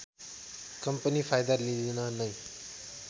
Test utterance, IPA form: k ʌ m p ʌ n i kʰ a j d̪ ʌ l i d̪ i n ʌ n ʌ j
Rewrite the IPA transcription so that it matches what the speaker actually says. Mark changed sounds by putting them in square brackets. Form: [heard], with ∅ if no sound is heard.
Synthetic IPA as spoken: k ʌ m p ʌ n i [pʰ] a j d̪ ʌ l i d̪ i n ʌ n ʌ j

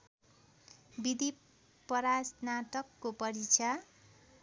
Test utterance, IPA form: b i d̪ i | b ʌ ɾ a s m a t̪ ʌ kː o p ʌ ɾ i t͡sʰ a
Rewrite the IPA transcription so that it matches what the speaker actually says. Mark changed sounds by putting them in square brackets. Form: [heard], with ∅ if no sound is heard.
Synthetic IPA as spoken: b i d̪ i | [p] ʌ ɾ a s [n] a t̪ ʌ kː o p ʌ ɾ i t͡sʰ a

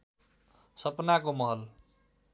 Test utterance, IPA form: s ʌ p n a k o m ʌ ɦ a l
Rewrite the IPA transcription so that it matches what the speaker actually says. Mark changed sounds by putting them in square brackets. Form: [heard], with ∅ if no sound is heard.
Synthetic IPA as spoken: s ʌ p n a k o m ʌ ɦ [ʌ] l

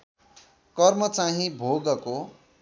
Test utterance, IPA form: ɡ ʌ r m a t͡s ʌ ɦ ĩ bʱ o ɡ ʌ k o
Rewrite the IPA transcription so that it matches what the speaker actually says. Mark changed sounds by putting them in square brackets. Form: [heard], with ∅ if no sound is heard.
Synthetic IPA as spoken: [k] ʌ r m [ʌ] t͡s [a] ɦ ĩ bʱ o ɡ ʌ k o

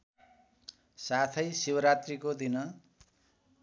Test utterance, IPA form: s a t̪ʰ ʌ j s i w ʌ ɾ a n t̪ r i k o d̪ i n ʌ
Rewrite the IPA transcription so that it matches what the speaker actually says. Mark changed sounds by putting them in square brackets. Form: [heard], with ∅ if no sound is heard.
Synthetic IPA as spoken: s a t̪ʰ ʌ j s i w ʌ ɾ a [∅] t̪ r i k o d̪ i n ʌ

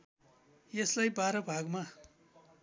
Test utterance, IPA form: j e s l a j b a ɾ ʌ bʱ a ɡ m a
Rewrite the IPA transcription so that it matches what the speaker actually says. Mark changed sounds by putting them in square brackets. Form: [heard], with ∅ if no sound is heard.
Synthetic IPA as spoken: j e s l a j b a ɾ ʌ bʱ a ɡ m a

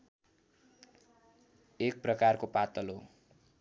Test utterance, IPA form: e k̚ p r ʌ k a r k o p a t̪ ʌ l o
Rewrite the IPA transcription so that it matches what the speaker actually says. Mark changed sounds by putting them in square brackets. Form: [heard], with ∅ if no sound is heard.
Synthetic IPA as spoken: e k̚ p r ʌ k a r k o p a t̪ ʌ l o

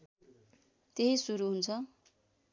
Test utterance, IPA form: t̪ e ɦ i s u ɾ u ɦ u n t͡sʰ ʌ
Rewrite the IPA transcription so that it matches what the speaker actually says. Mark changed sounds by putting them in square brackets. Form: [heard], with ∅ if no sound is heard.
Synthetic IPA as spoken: t̪ e ɦ i s u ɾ u ɦ u n t͡sʰ ʌ

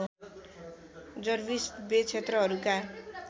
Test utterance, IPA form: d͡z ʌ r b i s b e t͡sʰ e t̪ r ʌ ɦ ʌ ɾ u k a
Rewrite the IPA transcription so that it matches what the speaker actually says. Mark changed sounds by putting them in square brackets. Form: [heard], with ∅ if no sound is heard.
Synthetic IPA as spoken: d͡z ʌ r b i s b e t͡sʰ e t̪ r ʌ ɦ ʌ ɾ u k a

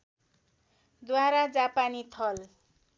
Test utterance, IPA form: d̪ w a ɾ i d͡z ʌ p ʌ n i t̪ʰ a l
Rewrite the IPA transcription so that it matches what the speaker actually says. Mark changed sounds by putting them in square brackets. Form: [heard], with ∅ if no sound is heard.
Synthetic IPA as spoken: d̪ w a ɾ [a] d͡z [a] p [a] n i t̪ʰ [ʌ] l

